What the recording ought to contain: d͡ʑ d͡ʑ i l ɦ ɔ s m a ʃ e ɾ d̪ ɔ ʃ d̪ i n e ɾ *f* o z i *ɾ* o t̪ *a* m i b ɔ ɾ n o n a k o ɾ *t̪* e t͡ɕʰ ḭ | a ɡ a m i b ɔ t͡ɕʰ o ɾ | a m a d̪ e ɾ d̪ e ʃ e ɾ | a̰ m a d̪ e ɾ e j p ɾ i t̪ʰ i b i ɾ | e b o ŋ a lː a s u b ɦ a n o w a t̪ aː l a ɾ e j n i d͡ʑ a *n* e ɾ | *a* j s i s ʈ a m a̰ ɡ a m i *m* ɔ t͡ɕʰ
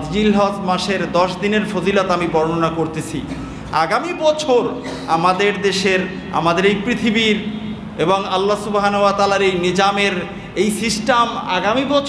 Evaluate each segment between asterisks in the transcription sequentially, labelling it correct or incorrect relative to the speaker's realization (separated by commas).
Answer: correct, incorrect, correct, correct, incorrect, incorrect, incorrect